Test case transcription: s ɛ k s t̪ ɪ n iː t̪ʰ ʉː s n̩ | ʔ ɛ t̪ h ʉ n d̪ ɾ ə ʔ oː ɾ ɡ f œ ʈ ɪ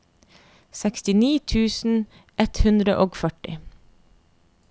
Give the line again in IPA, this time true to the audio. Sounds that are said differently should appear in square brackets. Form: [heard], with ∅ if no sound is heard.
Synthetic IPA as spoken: s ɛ k s t̪ ɪ n iː t̪ʰ ʉː s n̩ | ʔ ɛ t̪ h ʉ n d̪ ɾ ə ʔ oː [∅] ɡ f œ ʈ ɪ